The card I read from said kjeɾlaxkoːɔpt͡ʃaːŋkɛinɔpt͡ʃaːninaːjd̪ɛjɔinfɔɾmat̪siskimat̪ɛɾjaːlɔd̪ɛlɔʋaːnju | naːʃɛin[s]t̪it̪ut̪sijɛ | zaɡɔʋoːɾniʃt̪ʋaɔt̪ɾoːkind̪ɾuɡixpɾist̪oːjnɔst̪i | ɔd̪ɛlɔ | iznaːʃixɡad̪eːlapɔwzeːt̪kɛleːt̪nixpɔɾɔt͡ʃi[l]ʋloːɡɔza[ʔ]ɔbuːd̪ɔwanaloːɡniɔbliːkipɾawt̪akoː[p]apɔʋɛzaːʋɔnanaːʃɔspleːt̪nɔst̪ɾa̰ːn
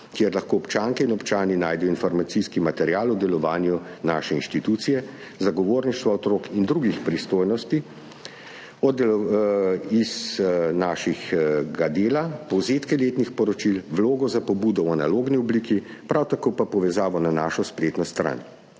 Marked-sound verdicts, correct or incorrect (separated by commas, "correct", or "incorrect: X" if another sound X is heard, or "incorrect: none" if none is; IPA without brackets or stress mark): incorrect: ʃ, correct, incorrect: p, correct